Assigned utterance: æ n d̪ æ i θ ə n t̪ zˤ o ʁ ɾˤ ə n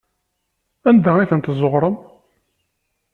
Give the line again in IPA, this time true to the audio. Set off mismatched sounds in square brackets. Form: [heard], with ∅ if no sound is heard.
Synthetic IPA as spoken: æ n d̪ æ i θ ə n t̪ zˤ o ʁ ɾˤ ə [m]

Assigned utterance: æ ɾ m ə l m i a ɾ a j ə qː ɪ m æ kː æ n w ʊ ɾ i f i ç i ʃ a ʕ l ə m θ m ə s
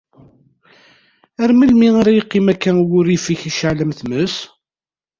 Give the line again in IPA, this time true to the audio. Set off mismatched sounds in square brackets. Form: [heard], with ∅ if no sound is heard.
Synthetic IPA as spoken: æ ɾ m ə l m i a ɾ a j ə qː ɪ m æ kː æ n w ʊ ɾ i f i ç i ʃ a ʕ l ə m θ m ə s

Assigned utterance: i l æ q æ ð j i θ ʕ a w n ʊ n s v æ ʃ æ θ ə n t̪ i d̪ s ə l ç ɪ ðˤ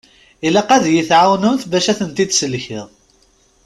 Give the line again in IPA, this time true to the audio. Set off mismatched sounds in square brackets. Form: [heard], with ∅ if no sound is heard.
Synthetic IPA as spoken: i l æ q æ ð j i θ ʕ a w n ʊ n [θ] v æ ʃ æ θ ə n t̪ i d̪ s ə l ç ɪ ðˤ

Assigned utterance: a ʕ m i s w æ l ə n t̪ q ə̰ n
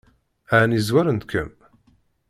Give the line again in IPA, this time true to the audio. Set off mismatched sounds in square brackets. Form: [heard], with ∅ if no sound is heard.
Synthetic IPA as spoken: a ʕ [n] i [z] w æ [ɾ] ə n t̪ [k] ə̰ [m]

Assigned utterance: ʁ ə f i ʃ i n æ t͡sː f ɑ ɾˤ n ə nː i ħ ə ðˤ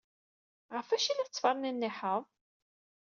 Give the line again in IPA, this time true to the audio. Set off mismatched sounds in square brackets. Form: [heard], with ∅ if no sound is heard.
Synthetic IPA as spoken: ʁ ə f [æ] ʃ i n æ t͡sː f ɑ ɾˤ n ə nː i ħ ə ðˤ

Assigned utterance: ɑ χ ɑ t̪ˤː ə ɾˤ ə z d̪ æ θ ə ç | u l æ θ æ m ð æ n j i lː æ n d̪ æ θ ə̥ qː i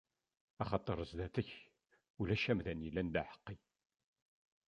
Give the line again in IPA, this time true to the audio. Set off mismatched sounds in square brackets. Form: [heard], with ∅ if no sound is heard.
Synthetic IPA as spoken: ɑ χ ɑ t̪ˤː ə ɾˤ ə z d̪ æ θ ə ç | u l æ [ʃ] æ m ð æ n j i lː æ n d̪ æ [ħ] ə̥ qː i

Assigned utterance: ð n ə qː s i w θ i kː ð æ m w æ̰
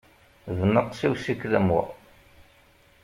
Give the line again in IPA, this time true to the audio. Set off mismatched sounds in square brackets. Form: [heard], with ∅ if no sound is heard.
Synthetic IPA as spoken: ð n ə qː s i w [s] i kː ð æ m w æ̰

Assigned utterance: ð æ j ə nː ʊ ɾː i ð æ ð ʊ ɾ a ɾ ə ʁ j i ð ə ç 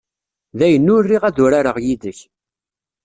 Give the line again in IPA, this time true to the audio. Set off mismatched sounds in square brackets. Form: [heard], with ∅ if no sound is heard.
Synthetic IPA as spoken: ð æ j ə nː ʊ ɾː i [ʁ] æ ð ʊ ɾ a ɾ ə ʁ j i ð ə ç

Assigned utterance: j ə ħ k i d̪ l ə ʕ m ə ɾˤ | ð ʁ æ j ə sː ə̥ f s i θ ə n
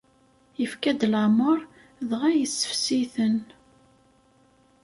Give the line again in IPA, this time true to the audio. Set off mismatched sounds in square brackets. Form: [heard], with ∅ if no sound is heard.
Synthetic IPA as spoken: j ə [f] k [æ] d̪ l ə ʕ m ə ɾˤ | ð ʁ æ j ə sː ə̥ f s i θ ə n

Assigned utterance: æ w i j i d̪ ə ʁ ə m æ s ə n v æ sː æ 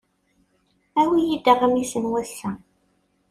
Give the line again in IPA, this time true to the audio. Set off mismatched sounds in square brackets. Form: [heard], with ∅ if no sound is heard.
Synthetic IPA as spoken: æ w i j i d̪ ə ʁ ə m [i] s ə n [w] æ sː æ

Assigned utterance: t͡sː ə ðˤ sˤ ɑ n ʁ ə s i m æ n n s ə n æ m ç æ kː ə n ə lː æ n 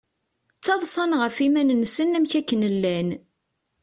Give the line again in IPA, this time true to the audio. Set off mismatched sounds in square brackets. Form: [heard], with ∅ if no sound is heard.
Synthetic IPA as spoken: t͡sː [ɑ] ðˤ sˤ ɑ n ʁ ə [f] i m æ n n s ə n æ m ç æ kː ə n ə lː æ n

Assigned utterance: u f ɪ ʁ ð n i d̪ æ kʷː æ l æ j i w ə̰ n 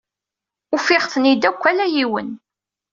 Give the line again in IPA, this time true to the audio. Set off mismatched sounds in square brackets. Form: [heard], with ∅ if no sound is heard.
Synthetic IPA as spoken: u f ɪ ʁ [θ] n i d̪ æ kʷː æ l æ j i w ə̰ n

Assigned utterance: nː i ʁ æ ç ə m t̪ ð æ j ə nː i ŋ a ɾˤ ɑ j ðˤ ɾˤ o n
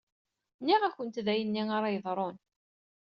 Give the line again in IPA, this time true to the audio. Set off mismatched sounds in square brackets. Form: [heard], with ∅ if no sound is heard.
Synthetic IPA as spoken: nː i ʁ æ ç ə [n] t̪ ð æ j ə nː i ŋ a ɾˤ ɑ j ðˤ ɾˤ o n

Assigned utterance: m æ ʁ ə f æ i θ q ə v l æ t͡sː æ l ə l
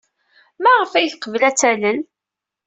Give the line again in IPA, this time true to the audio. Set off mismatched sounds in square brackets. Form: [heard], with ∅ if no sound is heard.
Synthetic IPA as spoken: m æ ʁ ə f æ [j] θ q ə v l æ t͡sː æ l ə l

